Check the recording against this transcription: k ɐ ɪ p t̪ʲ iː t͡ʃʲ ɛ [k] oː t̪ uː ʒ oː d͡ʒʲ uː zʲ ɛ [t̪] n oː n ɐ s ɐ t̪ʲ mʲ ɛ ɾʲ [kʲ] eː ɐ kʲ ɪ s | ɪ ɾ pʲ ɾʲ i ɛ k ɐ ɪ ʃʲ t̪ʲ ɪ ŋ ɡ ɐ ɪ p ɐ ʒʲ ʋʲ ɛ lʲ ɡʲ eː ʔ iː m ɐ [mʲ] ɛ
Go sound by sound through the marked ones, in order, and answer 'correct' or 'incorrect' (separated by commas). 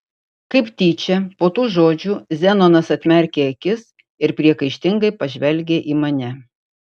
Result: incorrect, incorrect, correct, incorrect